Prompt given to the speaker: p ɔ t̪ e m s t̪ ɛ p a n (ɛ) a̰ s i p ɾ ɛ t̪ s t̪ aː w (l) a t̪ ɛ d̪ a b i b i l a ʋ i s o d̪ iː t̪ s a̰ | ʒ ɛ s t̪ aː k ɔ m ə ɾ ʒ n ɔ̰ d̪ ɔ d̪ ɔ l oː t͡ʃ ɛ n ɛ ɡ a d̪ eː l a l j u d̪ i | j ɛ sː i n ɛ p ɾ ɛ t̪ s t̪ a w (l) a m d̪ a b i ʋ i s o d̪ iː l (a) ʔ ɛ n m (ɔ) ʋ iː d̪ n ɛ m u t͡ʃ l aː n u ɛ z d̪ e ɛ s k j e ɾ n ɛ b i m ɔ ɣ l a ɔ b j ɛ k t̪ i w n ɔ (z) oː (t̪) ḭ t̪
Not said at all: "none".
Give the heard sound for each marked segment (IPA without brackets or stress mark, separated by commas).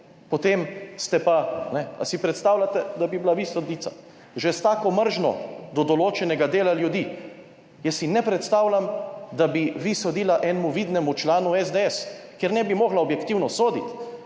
ɛ, l, l, a, u, s, d̪